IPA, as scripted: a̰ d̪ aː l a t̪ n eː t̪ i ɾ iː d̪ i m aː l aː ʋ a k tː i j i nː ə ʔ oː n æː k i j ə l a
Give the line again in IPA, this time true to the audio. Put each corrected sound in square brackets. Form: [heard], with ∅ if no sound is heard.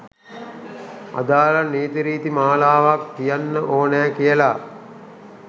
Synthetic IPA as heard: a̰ d̪ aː l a [∅] n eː t̪ i ɾ iː [t̪] i m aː l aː ʋ a k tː i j [a] nː ə ʔ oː n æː k i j ə l a